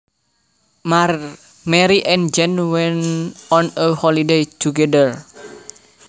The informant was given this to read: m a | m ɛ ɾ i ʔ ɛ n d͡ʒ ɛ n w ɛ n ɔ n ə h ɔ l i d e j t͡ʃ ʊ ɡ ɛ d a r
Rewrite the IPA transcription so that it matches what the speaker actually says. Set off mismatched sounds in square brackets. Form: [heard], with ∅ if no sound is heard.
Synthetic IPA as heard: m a | m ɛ ɾ i ʔ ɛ n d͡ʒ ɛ n w ɛ n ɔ n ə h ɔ l i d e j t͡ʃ [u] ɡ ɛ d [ə] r